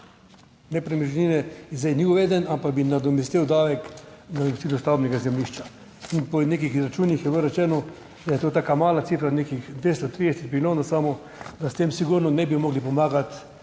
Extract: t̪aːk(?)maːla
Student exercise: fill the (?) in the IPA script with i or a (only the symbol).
a